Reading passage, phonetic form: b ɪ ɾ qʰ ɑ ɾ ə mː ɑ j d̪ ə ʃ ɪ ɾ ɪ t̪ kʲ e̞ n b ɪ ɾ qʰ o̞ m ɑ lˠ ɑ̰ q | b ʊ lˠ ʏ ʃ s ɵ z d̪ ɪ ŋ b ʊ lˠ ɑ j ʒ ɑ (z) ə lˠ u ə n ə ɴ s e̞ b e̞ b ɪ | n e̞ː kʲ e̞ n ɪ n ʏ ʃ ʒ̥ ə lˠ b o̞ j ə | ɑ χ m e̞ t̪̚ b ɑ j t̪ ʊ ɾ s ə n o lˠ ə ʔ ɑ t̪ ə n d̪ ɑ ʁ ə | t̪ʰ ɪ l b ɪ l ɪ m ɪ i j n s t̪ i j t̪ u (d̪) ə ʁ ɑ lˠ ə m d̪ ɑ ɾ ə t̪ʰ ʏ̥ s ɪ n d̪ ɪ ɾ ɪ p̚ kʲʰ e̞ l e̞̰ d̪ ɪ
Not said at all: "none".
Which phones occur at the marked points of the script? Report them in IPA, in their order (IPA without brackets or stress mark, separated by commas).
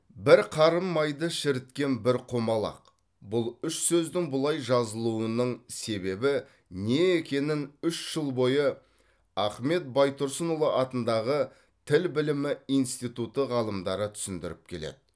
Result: z, t̪